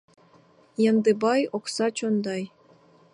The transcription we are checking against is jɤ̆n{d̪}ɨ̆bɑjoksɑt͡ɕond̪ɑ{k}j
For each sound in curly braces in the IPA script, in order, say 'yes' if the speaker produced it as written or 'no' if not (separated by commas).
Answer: yes, no